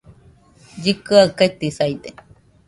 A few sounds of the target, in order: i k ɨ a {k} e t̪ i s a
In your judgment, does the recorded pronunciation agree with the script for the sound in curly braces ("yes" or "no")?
yes